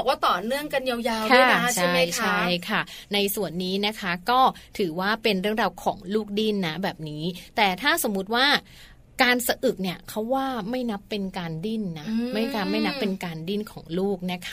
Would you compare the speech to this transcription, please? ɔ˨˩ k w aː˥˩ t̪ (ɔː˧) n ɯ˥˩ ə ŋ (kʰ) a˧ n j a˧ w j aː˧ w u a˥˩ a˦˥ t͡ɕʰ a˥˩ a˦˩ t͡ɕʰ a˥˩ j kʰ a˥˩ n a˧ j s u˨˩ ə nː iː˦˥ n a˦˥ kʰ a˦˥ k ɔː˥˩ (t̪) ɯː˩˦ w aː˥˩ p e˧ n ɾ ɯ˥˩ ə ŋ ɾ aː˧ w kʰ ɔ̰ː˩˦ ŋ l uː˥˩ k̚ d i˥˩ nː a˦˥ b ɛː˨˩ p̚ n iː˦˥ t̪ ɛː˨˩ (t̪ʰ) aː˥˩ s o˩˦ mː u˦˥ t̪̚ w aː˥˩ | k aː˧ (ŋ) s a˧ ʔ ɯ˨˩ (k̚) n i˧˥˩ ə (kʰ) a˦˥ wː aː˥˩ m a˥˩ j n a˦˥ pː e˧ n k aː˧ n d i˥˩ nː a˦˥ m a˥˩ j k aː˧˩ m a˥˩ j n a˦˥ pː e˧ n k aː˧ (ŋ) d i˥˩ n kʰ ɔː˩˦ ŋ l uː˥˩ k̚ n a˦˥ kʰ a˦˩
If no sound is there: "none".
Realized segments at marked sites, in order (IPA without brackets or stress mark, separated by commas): ɔː˨˩, k, t̪ʰ, t̪ʰ, n, k̚, kʰ, n